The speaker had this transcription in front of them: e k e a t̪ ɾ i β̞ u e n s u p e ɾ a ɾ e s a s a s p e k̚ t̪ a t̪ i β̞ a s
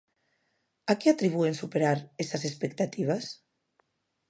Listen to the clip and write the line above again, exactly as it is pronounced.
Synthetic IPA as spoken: a k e a t̪ ɾ i β̞ u e n s u p e ɾ a ɾ e s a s e s p e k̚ t̪ a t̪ i β̞ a s